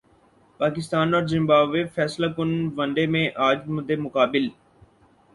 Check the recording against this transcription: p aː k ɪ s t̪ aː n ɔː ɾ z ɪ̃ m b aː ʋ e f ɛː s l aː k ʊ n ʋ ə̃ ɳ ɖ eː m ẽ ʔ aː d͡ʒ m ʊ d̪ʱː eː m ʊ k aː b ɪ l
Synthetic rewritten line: p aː k ɪ s t̪ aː n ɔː ɾ z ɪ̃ m b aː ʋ e f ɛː s l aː k ʊ n ʋ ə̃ ɳ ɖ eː m ẽ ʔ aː d͡ʒ m ʊ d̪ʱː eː m ʊ k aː b ɪ l